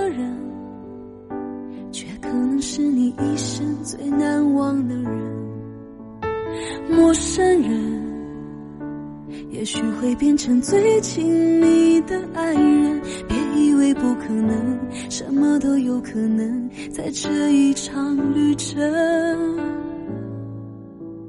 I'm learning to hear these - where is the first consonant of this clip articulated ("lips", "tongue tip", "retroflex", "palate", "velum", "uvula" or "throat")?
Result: retroflex